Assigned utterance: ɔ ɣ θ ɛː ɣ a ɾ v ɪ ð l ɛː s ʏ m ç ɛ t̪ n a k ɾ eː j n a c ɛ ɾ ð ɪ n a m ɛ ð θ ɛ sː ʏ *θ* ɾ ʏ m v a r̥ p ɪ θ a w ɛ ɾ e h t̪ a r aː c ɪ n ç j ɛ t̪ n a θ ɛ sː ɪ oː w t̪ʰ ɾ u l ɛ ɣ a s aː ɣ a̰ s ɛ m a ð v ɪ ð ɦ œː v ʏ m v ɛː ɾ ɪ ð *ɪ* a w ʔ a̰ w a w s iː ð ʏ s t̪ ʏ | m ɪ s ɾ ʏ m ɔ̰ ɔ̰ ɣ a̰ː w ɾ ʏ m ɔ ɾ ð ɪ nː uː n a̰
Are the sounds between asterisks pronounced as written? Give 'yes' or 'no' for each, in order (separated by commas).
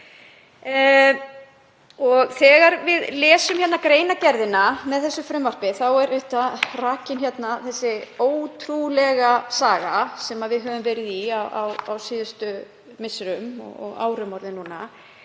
no, no